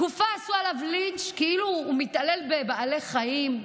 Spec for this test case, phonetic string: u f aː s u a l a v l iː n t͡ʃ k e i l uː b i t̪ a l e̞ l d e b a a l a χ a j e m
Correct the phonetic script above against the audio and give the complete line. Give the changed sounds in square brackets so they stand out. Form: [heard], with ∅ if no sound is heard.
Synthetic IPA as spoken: u f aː s u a l a v l [i] n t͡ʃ k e i l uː [m] i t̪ a l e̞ l [b] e b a a l [e] χ a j [i] m